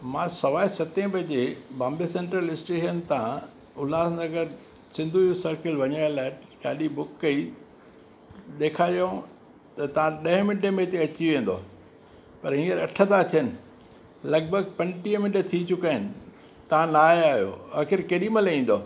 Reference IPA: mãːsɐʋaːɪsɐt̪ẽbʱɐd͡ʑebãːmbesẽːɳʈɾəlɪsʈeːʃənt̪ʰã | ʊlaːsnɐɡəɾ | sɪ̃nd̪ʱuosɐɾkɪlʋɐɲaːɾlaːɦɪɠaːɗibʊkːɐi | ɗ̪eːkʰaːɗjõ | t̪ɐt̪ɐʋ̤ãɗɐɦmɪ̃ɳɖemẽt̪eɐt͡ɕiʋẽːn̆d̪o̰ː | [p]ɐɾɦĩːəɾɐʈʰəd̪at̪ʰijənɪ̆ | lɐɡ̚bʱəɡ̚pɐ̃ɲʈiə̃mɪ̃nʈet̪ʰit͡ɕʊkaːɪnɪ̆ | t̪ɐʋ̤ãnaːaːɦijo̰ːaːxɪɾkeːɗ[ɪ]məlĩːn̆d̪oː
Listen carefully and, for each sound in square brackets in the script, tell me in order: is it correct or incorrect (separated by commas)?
correct, incorrect